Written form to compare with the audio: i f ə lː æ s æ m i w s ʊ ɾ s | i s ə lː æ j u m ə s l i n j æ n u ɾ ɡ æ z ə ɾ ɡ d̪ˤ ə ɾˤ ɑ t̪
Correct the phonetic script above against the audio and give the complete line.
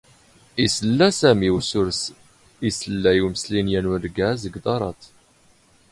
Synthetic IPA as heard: i s ə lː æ s æ m i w s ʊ ɾ s | i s ə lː æ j u m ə s l i n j æ n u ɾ ɡ æ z ə ɡ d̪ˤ ɑ ɾˤ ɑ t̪